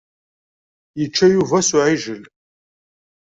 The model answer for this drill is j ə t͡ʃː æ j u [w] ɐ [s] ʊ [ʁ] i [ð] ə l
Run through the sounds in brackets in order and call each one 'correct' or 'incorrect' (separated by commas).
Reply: incorrect, correct, incorrect, incorrect